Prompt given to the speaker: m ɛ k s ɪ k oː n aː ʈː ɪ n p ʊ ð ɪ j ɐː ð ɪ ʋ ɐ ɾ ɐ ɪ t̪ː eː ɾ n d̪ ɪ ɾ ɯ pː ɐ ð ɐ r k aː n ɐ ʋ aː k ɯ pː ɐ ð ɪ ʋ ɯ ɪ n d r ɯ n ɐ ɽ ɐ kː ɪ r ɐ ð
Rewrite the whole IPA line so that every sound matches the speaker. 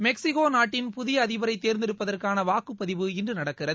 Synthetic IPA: m ɛ k s ɪ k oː n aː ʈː ɪ n p ʊ ð ɪ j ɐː ð ɪ ʋ ɐ ɾ ɐ ɪ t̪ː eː ɾ n d̪ ɪ ɾ ɯ pː ɐ ð ɐ r k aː n ɐ ʋ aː k ɯ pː ɐ ð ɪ ʋ ɯ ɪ n d r ɯ n ɐ ɽ ɐ kː ɪ r ɐ ð

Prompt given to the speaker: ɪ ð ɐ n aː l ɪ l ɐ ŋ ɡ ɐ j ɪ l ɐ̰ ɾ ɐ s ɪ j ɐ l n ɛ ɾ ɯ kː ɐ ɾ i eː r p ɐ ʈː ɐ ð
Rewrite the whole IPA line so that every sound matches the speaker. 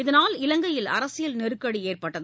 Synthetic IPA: ɪ ð ɐ n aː l ɪ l ɐ ŋ ɡ ɐ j ɪ l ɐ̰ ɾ ɐ s ɪ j ɐ l n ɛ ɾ ɯ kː ɐ ɽ i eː r p ɐ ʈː ɐ ð

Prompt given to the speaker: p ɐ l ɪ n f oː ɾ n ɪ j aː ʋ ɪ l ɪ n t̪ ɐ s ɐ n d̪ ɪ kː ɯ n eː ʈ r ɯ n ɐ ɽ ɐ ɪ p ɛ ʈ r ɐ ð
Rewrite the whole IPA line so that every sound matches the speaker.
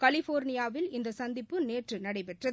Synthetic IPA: k ɐ l ɪ f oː ɾ n ɪ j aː ʋ ɪ l ɪ n d̪ ɐ s ɐ n d̪ ɪ pː ɯ n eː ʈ r ɯ n ɐ ɽ ɐ ɪ p ɛ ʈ r ɐ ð

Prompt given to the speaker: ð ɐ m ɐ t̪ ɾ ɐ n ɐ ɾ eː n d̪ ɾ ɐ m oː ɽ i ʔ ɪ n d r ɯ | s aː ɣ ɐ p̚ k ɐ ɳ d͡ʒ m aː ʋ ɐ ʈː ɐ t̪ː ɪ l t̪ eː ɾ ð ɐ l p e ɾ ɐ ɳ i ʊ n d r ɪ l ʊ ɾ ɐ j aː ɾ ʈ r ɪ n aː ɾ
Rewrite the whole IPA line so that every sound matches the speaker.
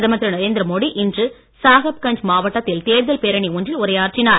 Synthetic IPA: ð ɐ m ɐ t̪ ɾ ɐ n ɐ ɾ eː n d̪ ɾ ɐ m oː ɽ i ʔ ɪ n d r ɯ | s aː ɣ ɐ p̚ k ɐ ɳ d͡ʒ m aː ʋ ɐ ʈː ɐ t̪ː ɪ l t̪ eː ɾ ð ɐ l p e ɾ ɐ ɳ i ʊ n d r ɪ l ʊ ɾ ɐ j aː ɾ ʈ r ɪ n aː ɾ

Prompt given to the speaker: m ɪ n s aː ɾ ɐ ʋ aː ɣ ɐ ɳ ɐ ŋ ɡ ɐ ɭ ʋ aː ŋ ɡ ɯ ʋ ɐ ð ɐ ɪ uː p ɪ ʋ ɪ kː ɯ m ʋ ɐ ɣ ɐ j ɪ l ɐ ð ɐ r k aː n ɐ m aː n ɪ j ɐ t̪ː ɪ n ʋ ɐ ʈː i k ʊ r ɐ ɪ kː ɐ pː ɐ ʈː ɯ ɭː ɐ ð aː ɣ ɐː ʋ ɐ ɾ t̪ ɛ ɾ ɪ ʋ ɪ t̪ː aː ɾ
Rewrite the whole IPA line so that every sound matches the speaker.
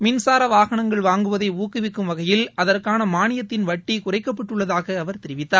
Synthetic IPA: m ɪ n s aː ɾ ɐ ʋ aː ɣ ɐ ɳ ɐ ŋ ɡ ɐ ɭ ʋ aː ŋ ɡ ɯ ʋ ɐ ð ɐ ɪ uː k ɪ ʋ ɪ kː ɯ m ʋ ɐ ɣ ɐ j ɪ l ɐ ð ɐ r k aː n ɐ m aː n ɪ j ɐ t̪ː ɪ n ʋ ɐ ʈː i k ʊ r ɐ ɪ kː ɐ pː ɐ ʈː ɯ ɭː ɐ ð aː ɣ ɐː ʋ ɐ ɾ t̪ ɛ ɾ ɪ ʋ ɪ t̪ː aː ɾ

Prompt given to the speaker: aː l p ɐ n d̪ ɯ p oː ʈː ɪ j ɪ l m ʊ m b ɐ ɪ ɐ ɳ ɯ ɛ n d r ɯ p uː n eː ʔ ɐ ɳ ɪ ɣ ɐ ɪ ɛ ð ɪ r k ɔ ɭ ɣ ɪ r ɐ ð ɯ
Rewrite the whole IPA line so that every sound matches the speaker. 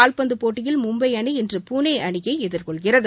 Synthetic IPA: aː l p ɐ n d̪ ɯ p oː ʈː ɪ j ɪ l m ʊ m b ɐ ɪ ɐ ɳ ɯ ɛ n d r ɯ p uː n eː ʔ ɐ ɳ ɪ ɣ ɐ ɪ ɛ ð ɪ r k ɔ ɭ ɣ ɪ r ɐ ð ɯ

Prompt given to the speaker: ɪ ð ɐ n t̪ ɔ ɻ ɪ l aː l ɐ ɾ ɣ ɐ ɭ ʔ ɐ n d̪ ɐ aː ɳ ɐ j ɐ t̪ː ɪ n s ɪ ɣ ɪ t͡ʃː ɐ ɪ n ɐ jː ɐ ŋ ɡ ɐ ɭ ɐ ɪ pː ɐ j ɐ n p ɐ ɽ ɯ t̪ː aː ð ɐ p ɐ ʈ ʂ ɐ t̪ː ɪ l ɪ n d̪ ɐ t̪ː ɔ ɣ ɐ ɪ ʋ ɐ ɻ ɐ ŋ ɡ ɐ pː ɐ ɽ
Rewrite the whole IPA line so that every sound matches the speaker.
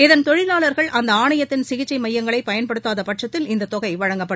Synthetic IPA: ɪ ð ɐ n t̪ ɔ ɻ ɪ l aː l ɐ ɾ ɣ ɐ ɭ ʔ ɐ n d̪ ɐ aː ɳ ɐ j ɐ t̪ː ɪ n s ɪ ɣ ɪ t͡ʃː ɐ ɪ m ɐ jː ɐ ŋ ɡ ɐ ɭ ɐ ɪ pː ɐ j ɐ n p ɐ ɽ ɯ t̪ː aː ð ɐ p ɐ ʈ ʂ ɐ t̪ː ɪ l ɪ n d̪ ɐ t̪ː ɔ ɣ ɐ ɪ ʋ ɐ ɻ ɐ ŋ ɡ ɐ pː ɐ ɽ

